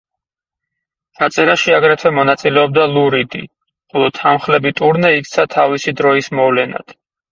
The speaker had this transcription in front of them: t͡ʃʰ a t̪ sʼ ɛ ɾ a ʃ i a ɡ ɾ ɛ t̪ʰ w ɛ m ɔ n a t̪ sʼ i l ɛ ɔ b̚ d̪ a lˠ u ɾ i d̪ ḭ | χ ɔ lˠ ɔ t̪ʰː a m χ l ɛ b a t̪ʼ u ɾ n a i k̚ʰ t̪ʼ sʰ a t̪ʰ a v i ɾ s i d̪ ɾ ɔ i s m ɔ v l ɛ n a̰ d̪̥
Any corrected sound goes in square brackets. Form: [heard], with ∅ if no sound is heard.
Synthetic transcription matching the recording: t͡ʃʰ a t̪ sʼ ɛ ɾ a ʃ i a ɡ ɾ ɛ t̪ʰ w ɛ m ɔ n a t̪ sʼ i l ɛ ɔ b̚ d̪ a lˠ u ɾ i d̪ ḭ | χ ɔ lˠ ɔ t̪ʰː a m χ l ɛ b [i] t̪ʼ u ɾ n [ɛ] i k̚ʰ [t̪] sʰ a t̪ʰ a v i [∅] s i d̪ ɾ ɔ i s m ɔ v l ɛ n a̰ d̪̥